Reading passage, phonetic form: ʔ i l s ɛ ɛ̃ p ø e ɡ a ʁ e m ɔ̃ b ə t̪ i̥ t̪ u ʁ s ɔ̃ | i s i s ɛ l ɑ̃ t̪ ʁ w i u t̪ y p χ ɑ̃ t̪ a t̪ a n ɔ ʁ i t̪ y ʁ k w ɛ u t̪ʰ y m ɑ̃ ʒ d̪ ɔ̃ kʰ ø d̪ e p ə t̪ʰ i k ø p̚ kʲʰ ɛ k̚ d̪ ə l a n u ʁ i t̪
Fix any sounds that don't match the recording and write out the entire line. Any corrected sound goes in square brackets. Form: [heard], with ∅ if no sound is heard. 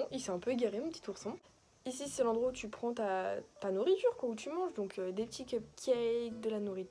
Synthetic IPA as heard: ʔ i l s ɛ ɛ̃ p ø e ɡ a ʁ e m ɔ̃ [p] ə t̪ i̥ t̪ u ʁ s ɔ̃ | i s i s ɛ l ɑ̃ [d̪] ʁ w [a] u t̪ y p χ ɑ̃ t̪ a t̪ a n [u] ʁ i t̪ y ʁ k w [a] u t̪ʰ y m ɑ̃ ʒ d̪ ɔ̃ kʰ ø d̪ e p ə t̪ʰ i k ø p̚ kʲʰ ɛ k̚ d̪ ə l a n u ʁ i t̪

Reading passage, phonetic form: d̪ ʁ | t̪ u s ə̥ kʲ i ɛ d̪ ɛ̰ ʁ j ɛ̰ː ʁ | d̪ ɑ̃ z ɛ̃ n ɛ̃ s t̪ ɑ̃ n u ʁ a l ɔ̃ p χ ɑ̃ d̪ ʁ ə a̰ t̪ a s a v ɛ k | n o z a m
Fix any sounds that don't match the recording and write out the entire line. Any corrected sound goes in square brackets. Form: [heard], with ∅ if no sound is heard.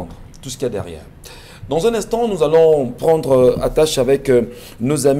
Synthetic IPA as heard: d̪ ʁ | t̪ u s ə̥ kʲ i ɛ d̪ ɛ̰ ʁ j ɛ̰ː ʁ | d̪ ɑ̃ z ɛ̃ n ɛ̃ s t̪ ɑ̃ n u [z] a l ɔ̃ p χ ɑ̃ d̪ ʁ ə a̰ t̪ a [ʃ] a v ɛ k | n o z a m

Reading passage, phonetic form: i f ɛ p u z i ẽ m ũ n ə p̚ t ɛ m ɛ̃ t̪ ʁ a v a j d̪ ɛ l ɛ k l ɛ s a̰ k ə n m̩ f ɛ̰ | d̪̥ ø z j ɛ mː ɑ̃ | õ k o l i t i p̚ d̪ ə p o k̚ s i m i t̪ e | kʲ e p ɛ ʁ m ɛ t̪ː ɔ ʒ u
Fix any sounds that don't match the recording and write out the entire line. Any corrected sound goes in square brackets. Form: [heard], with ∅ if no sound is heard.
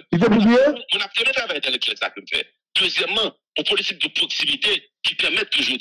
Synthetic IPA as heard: i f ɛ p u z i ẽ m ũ n [a] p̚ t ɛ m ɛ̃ t̪ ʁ a v a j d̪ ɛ l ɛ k l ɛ s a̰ k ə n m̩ f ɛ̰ | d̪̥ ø z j ɛ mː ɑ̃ | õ [p] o l i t i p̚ d̪ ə p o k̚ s i m i t̪ e | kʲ [i] p ɛ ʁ m ɛ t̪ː [u] ʒ u

